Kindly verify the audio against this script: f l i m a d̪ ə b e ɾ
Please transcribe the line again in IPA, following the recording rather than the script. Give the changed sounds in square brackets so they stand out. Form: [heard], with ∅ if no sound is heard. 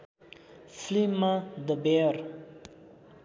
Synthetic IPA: f l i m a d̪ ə b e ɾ